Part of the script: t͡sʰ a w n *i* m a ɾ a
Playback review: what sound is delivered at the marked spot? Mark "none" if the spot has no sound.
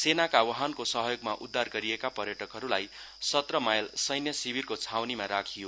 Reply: i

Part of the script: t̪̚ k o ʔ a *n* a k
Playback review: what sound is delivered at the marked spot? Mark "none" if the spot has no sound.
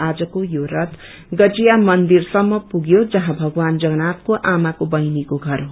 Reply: m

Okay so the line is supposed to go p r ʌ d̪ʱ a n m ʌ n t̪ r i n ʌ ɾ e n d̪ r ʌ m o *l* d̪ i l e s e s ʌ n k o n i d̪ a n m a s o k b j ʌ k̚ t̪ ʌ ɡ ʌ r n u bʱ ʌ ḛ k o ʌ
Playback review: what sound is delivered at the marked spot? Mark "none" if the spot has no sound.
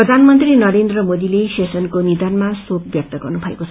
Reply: none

